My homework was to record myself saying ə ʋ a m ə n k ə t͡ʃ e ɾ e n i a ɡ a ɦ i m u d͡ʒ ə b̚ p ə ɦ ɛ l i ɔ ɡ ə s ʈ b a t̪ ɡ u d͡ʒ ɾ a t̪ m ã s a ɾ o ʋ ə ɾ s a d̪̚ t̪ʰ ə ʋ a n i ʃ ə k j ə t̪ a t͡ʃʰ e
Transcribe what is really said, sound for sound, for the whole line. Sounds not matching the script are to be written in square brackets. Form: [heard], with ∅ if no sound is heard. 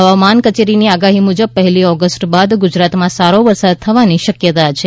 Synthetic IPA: ə ʋ a m [a] n k ə t͡ʃ e ɾ [i] n i a ɡ a ɦ i m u d͡ʒ ə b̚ p ə ɦ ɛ l i ɔ ɡ ə s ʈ b a [d̪] ɡ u d͡ʒ ɾ a t̪ m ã s a ɾ o ʋ ə ɾ s a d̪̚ t̪ʰ ə ʋ a n i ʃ ə k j ə t̪ a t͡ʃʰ e